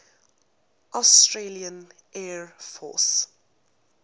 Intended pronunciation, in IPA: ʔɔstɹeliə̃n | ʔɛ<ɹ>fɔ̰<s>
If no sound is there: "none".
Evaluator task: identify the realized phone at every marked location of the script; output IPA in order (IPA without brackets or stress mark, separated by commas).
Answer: ɹ, s